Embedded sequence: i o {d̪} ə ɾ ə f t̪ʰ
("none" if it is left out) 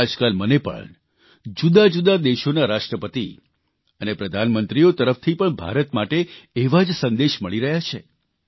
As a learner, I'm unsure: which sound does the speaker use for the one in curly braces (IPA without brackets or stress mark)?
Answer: t̪